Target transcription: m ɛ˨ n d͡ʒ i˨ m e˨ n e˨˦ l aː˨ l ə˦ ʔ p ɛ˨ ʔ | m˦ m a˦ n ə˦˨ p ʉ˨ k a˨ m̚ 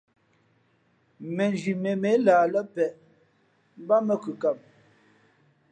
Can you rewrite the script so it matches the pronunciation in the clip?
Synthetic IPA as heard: m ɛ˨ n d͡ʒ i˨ m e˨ m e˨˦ l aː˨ l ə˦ p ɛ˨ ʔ | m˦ b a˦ m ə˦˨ k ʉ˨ k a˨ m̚